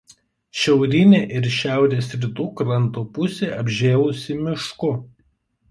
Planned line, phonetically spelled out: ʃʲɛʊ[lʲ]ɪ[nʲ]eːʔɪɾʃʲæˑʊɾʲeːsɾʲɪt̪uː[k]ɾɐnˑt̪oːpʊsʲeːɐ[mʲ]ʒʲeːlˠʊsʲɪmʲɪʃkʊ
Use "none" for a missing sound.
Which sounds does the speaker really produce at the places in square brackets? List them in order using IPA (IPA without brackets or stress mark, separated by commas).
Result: ɾʲ, nʲ, k, bʲ